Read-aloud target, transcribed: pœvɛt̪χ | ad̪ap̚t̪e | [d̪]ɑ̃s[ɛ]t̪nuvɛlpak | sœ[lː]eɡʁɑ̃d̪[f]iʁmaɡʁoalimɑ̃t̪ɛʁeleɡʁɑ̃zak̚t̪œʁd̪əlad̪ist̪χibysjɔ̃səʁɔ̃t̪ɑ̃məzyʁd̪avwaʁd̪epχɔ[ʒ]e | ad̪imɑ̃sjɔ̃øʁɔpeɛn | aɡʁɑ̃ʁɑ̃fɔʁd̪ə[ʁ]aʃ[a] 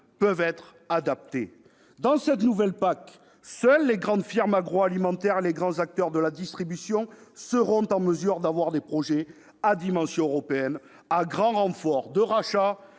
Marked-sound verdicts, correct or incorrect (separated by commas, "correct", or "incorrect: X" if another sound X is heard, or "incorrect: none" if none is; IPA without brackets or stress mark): correct, correct, correct, correct, correct, correct, correct